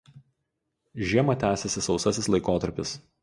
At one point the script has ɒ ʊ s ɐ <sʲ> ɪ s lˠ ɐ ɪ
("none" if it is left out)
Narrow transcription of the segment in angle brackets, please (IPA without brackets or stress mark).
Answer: sʲ